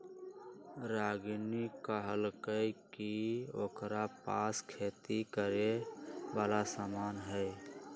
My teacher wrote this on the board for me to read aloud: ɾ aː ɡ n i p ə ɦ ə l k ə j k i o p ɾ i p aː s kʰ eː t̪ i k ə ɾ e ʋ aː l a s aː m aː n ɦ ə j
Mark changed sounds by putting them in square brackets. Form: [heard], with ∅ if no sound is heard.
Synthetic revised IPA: ɾ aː ɡ n i [k] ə ɦ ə l k ə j k i o [k] ɾ [a] p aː s kʰ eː t̪ i k ə ɾ e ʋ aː l a s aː m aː n ɦ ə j

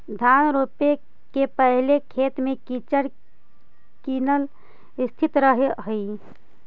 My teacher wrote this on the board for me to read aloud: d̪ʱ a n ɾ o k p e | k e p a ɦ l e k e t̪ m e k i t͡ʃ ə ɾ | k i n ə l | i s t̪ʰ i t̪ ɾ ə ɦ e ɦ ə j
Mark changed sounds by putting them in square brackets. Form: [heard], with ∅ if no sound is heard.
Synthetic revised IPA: d̪ʱ a n ɾ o [∅] p e | k e p [ə] ɦ l e [kʰ] e t̪ m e k i t͡ʃ ə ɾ | k i n ə l | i s t̪ʰ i t̪ ɾ ə ɦ e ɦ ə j

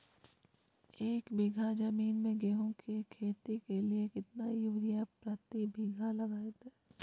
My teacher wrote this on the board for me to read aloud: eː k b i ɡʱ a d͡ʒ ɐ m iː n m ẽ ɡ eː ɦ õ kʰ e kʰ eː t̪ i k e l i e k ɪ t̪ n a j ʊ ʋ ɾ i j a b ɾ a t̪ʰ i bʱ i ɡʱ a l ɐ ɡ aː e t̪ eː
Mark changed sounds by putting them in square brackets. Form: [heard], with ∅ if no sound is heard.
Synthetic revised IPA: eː k b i ɡʱ a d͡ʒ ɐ m iː n m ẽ ɡ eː ɦ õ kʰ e kʰ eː t̪ i k e l i e k ɪ t̪ n a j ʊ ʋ ɾ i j a [p] ɾ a [t̪] i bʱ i ɡʱ a l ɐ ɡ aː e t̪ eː

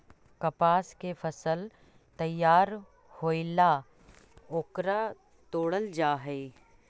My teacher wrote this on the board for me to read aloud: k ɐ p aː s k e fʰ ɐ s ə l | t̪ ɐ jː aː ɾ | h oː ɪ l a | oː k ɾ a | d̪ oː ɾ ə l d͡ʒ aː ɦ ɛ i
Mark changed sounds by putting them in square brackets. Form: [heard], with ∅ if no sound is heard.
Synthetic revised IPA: k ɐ p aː s k e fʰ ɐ s ə l | t̪ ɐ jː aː ɾ | h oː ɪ l a | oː k ɾ a | [t̪] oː [ɽ] ə l d͡ʒ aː ɦ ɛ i

